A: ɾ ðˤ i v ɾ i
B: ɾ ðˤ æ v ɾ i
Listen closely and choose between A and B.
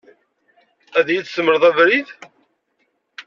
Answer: B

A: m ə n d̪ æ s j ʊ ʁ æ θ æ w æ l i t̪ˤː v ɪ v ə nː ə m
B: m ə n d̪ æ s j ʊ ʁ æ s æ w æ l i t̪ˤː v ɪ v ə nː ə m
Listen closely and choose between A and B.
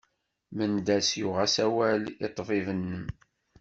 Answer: B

